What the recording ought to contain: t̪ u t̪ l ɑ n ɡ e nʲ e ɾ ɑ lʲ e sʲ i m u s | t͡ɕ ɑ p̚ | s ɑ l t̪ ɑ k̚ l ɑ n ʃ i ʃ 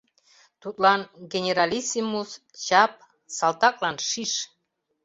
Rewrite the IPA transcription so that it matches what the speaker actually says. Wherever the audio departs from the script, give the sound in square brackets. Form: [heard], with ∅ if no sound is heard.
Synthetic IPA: t̪ u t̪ l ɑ n ɡ e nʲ e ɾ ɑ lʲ [i] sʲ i m u s | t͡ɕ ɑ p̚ | s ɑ l t̪ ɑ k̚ l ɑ n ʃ i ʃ